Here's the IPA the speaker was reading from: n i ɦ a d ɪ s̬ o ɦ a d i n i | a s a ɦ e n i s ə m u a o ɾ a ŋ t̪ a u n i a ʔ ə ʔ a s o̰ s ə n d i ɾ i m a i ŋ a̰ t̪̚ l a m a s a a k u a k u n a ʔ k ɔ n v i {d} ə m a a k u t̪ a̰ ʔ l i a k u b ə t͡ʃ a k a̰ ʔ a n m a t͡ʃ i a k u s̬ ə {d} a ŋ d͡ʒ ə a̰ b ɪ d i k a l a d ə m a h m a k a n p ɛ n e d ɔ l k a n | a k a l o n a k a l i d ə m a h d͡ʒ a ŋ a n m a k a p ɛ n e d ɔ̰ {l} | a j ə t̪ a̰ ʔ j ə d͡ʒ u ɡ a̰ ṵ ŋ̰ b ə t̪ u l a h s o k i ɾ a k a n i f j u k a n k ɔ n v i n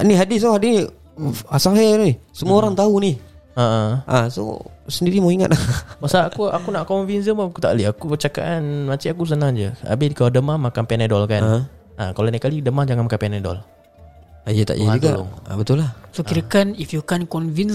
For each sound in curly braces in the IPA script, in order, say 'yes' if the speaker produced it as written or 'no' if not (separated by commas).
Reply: no, no, yes